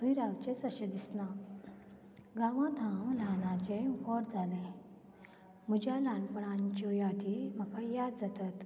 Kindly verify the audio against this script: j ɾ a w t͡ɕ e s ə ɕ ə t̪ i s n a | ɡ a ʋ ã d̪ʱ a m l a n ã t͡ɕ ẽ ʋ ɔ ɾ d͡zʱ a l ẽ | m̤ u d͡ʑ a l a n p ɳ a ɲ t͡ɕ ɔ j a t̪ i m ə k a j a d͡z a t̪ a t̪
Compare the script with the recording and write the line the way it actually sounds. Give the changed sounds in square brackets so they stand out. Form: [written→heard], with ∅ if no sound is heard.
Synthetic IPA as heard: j ɾ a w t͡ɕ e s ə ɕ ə [t̪→d̪] i s n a | ɡ a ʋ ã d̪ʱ a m l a n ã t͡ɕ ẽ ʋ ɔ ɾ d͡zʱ a l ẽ | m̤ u d͡ʑ a l a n p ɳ a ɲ t͡ɕ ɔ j a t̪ i m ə k a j a d͡z a t̪ a t̪